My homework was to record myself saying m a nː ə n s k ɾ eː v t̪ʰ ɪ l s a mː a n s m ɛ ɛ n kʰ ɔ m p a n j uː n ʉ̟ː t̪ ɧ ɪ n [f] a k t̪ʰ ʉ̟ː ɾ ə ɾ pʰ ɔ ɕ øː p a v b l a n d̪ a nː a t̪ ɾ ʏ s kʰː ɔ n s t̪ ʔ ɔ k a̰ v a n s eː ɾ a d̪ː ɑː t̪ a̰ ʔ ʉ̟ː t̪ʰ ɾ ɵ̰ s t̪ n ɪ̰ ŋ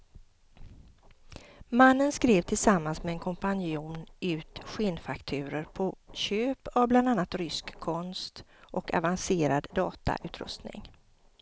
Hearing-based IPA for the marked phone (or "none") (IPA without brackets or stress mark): f